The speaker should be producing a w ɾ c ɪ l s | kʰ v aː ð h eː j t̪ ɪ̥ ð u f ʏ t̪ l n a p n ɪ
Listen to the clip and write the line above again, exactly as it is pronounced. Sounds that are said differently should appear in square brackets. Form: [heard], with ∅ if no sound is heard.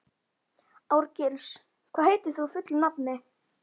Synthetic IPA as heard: a w ɾ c ɪ l s | kʰ v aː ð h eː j t̪ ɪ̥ [θ] u f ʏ t̪ l n a p n ɪ